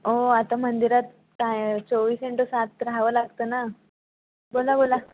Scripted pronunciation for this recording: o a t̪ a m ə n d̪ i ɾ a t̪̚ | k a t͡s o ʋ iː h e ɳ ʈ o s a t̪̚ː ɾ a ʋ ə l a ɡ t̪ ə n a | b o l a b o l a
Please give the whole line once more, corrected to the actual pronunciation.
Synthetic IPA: o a t̪ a m ə n d̪ i ɾ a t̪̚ | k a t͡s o ʋ iː s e ɳ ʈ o s a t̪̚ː ɾ a ʋ ə l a ɡ t̪ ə n a | b o l a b o l a

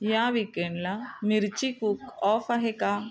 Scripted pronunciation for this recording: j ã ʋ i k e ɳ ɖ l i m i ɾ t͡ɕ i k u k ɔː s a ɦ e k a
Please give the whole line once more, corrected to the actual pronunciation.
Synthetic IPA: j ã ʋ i k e ɳ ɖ l a m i ɾ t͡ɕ i k u k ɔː f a ɦ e k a

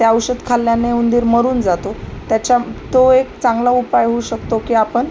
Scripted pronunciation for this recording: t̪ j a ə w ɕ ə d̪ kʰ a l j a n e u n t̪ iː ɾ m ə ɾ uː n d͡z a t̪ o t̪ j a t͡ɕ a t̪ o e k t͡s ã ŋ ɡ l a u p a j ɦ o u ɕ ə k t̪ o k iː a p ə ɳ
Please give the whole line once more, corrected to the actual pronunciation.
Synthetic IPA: t̪ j a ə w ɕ ə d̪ kʰ a l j a n e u n d̪ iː ɾ m ə ɾ uː n d͡z a t̪ o t̪ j a t͡ɕ a t̪ o e k t͡s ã ŋ ɡ l a u p a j ɦ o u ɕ ə k t̪ o k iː a p ə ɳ

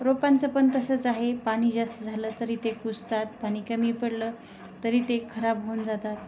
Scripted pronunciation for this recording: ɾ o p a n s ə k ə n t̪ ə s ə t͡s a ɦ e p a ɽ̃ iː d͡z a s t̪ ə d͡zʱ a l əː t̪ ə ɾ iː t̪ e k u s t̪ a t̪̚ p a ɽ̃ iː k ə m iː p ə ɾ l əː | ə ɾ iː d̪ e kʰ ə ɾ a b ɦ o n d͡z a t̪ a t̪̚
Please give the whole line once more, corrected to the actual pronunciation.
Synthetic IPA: ɾ o p a n t͡s ə p ə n t̪ ə s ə t͡s a ɦ e p a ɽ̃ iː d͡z a s t̪ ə d͡zʱ a l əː t̪ ə ɾ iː t̪ e k u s t̪ a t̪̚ p a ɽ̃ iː k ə m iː p ə ɽ l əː | ə ɾ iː t̪ e kʰ ə ɾ a b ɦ o n d͡z a t̪ a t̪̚

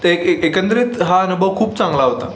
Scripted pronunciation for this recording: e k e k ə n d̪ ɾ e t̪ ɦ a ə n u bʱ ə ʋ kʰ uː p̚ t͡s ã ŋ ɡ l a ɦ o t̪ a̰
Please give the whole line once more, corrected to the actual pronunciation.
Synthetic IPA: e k e k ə n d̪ ɾ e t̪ ɦ a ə n u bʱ ə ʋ kʰ uː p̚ t͡s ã ŋ ɡ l a ɦ o t̪ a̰

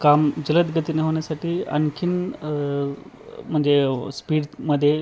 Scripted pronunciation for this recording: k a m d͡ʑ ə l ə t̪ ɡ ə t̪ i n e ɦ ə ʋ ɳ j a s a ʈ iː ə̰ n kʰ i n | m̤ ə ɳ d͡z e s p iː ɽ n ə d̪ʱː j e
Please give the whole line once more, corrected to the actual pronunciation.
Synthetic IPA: k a m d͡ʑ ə l ə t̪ ɡ ə t̪ i n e ɦ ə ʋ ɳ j a s a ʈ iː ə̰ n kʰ i n | m̤ ə ɳ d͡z e s p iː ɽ m ə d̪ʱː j e

